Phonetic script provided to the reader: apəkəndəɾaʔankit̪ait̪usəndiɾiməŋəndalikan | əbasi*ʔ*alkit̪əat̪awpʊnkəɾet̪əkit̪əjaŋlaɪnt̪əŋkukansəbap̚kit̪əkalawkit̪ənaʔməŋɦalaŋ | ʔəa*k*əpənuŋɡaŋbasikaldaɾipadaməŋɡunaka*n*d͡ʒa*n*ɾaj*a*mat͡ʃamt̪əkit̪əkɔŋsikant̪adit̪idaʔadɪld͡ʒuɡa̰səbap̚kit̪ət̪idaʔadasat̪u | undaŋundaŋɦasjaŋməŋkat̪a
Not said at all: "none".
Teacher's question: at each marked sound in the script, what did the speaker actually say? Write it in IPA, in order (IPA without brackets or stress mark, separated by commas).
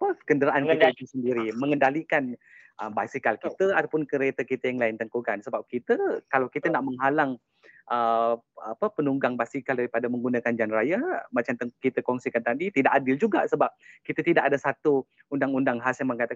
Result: k, p, n, n, a